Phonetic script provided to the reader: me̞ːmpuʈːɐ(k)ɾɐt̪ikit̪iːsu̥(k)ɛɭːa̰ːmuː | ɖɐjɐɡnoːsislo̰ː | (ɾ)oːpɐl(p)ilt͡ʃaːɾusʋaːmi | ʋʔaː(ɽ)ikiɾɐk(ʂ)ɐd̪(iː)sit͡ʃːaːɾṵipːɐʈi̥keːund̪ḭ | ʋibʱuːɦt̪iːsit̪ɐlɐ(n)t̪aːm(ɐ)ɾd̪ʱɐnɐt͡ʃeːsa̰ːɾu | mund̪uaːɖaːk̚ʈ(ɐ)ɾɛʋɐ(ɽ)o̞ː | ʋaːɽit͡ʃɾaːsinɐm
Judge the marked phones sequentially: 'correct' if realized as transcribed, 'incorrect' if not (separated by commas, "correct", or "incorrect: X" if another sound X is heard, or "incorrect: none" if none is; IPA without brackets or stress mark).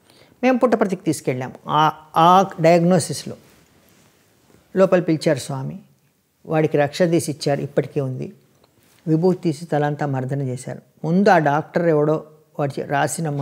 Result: incorrect: p, correct, incorrect: l, correct, correct, correct, correct, correct, correct, correct, correct